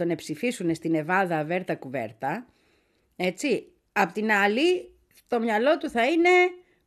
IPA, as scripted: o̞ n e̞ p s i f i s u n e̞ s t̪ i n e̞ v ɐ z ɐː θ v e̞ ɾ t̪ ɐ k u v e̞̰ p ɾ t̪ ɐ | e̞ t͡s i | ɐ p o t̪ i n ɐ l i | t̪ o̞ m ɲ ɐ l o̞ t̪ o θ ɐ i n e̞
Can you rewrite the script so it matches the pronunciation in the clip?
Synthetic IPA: o̞ n e̞ p s i f i s u n e̞ s t̪ i n e̞ v ɐ ð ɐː v e̞ ɾ t̪ ɐ k u v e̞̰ ɾ t̪ ɐ | e̞ t͡s i | ɐ p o t̪ i n ɐ l i | t̪ o̞ m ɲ ɐ l o̞ t̪ u θ ɐ i n e̞